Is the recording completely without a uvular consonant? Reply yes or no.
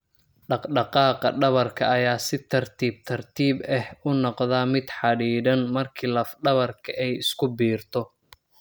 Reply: no